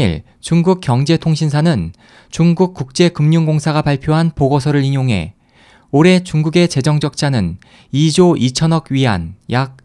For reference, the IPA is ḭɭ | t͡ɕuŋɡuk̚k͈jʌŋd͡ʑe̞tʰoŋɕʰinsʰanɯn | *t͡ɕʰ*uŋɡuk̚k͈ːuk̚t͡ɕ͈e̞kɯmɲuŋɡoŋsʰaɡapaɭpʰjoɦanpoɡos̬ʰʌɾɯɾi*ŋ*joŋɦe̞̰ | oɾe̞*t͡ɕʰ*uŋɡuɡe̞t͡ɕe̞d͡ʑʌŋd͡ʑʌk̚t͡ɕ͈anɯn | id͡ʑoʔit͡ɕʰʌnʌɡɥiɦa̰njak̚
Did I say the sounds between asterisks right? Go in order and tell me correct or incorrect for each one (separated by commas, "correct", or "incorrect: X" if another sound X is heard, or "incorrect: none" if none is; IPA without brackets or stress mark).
incorrect: t͡ɕ, incorrect: ɲ, incorrect: t͡ɕ